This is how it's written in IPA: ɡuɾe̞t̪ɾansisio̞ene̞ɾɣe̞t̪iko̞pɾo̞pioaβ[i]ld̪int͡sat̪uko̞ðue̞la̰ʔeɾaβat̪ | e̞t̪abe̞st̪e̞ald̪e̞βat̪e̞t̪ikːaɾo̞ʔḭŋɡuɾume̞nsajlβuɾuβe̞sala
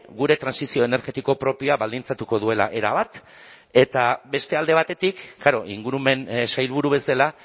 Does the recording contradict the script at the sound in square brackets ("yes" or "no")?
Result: yes